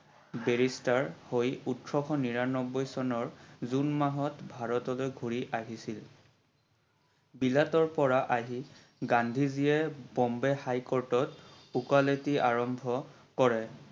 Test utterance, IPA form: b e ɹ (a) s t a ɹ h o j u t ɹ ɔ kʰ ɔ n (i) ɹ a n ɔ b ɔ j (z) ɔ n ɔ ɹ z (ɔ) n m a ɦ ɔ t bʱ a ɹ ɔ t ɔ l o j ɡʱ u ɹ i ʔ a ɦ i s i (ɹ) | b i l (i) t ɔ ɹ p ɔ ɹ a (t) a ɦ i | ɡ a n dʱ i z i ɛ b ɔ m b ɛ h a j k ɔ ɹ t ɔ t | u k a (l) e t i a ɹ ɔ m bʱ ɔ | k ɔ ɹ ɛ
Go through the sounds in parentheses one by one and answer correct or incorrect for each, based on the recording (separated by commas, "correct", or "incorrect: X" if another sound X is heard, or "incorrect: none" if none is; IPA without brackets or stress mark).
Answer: incorrect: i, correct, incorrect: s, incorrect: u, incorrect: l, incorrect: a, incorrect: ʔ, correct